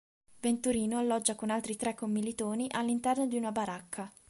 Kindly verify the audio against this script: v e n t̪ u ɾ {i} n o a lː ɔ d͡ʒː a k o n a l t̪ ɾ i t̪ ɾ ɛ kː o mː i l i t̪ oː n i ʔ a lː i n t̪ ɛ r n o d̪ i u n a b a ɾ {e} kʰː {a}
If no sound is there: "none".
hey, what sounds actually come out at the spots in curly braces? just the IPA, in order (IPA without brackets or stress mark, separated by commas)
iː, a, a